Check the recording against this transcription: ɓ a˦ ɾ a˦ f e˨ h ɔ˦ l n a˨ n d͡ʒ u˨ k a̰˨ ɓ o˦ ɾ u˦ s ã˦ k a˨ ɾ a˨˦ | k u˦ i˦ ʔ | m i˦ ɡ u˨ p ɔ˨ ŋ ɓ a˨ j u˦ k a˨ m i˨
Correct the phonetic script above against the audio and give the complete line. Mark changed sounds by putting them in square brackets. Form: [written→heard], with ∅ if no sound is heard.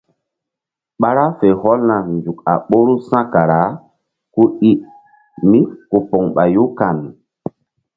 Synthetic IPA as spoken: ɓ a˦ ɾ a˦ f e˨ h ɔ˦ l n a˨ n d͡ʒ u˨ k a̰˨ ɓ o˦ ɾ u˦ s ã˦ k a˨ ɾ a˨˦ | k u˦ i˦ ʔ | m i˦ [ɡ→k] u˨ p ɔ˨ ŋ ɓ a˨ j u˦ k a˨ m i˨